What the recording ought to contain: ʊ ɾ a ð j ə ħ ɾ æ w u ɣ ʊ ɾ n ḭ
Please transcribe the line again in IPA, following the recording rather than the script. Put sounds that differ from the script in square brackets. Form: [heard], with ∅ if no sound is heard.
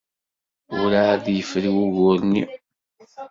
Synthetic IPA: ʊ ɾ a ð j ə [f] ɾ [i] w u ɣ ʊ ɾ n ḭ